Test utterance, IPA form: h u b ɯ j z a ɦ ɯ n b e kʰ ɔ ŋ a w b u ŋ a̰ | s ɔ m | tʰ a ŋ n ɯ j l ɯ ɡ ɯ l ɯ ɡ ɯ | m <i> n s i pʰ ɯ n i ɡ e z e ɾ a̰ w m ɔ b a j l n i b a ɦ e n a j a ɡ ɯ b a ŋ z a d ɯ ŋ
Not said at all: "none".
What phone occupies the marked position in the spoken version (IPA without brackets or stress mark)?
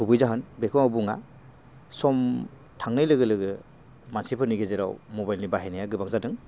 a